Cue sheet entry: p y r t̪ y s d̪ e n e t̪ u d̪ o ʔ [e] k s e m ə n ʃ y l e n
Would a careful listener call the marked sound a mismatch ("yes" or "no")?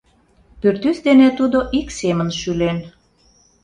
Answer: yes